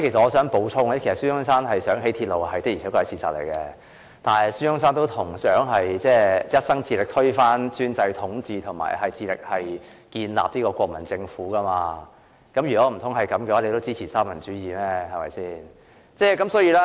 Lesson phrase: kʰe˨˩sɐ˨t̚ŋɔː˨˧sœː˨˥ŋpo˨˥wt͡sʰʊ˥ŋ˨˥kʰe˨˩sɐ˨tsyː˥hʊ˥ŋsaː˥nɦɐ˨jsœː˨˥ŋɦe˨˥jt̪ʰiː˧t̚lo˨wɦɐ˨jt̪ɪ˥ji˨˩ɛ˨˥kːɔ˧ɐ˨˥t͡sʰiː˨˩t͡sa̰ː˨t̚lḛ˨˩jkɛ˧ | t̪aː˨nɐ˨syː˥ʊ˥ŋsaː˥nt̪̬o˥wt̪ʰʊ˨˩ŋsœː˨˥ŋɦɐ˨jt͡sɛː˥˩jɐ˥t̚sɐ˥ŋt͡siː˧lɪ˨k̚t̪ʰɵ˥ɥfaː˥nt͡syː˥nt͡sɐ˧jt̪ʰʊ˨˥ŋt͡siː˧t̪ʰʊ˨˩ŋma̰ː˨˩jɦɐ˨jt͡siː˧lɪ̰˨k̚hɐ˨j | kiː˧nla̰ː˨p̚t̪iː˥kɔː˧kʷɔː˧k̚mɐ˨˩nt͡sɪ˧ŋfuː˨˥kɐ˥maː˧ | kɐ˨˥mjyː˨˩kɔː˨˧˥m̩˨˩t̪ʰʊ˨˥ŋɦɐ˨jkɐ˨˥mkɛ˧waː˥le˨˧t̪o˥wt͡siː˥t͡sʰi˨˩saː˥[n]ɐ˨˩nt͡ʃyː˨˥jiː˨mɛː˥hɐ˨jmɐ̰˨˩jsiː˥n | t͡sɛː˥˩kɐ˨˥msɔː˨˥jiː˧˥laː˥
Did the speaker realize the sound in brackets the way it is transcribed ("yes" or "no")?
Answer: no